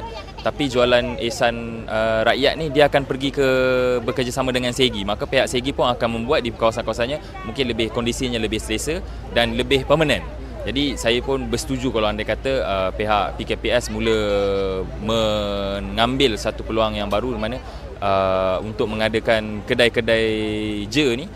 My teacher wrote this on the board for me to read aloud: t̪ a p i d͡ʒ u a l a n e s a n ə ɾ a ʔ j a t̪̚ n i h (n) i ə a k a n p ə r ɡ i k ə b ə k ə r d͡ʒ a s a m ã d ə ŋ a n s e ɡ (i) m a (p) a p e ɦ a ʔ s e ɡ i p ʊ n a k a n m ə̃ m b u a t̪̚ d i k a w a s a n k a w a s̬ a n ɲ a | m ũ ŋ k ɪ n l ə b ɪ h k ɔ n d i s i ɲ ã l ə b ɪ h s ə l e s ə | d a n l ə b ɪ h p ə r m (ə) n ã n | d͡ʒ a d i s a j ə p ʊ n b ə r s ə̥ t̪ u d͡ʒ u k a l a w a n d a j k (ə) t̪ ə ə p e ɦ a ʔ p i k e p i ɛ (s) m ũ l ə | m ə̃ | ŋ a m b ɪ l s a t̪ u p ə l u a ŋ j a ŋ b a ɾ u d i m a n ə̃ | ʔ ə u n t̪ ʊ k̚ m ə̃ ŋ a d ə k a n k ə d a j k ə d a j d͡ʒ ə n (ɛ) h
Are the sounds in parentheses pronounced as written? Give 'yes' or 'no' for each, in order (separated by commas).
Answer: no, yes, no, yes, no, yes, no